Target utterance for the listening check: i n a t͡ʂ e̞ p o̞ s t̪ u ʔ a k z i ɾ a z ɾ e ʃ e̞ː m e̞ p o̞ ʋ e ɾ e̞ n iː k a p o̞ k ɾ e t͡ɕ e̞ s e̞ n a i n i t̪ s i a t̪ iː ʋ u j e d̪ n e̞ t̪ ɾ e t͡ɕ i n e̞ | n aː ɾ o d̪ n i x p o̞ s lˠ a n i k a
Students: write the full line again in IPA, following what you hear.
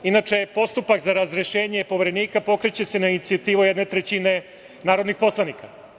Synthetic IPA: i n a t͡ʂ e̞ p o̞ s t̪ u p a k z a ɾ a z ɾ e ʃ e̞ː ɲ e̞ p o̞ ʋ e ɾ e̞ n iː k a p o̞ k ɾ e t͡ɕ e̞ s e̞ n a i n i t̪ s i a t̪ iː ʋ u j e d̪ n e̞ t̪ ɾ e t͡ɕ i n e̞ | n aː ɾ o d̪ n i x p o̞ s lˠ a n i k a